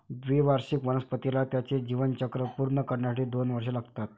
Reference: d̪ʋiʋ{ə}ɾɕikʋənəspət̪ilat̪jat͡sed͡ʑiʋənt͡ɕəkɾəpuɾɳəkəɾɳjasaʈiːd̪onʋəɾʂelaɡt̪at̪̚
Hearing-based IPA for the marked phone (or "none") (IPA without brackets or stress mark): a